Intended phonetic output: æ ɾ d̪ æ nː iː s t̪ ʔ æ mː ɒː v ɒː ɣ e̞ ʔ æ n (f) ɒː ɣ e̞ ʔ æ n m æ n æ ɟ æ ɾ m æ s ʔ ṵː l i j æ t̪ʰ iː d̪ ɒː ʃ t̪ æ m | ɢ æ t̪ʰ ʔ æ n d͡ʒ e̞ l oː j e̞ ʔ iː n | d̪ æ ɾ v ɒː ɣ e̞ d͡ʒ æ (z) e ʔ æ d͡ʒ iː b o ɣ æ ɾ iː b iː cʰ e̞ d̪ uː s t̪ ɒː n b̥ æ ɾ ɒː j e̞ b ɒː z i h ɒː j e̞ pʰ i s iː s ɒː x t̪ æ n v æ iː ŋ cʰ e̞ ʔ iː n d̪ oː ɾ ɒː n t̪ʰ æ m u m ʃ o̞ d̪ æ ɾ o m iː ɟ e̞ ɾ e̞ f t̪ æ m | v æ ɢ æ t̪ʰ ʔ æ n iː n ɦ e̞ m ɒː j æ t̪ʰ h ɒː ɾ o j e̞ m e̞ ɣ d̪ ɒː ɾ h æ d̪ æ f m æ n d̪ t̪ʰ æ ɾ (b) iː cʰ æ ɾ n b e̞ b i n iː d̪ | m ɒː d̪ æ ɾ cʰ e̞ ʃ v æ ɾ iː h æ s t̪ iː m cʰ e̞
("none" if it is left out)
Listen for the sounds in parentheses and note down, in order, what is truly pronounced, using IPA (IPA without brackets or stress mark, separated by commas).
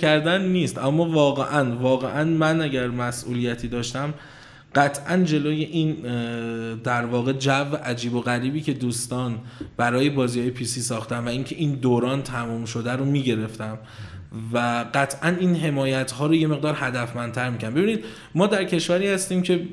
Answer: v, v, m